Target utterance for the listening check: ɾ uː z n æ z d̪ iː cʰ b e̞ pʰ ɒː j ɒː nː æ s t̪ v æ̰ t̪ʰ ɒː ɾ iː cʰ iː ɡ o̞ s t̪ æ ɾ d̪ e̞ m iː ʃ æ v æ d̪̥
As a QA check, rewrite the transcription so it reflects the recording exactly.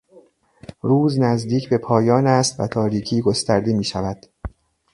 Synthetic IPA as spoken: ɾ uː z n æ z d̪ iː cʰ b e̞ pʰ ɒː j ɒː n æ s t̪ v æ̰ t̪ʰ ɒː ɾ iː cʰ iː ɡ o̞ s t̪ æ ɾ d̪ e̞ m iː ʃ æ v æ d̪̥